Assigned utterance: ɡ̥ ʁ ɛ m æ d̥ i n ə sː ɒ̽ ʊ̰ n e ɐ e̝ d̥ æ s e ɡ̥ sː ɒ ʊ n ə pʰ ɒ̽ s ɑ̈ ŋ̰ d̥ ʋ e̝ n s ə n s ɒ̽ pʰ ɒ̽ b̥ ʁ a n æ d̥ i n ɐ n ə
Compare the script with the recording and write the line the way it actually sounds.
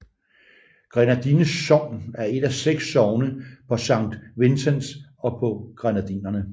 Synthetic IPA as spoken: ɡ̥ ʁ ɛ n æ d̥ i n ə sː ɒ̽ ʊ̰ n æ ɐ e̝ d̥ æ s e ɡ̥ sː ɒ ʊ n ə pʰ ɒ̽ s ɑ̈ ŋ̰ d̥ ʋ e̝ n s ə n s ɒ̽ pʰ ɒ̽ ɡ̥ ʁ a n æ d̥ i n ɐ n ə